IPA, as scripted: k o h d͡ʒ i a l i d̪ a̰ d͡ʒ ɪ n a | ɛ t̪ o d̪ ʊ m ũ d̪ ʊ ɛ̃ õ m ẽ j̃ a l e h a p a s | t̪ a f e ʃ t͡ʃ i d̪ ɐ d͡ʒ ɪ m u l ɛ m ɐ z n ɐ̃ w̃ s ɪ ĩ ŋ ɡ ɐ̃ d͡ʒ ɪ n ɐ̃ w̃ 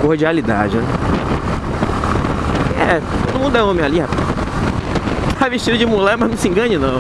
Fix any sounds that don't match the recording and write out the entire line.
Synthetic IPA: k o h d͡ʒ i a l i d̪ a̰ d͡ʒ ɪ n ɛ | ɛ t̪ o d̪ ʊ m ũ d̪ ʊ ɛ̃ õ m ẽ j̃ a l i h a p a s | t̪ a v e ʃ t͡ʃ i d̪ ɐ d͡ʒ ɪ m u l ɛ m ɐ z n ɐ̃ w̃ s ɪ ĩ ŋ ɡ ɐ̃ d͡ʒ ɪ n ɐ̃ w̃